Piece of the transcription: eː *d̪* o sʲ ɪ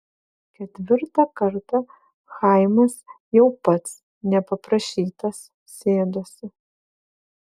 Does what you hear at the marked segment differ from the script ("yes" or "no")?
no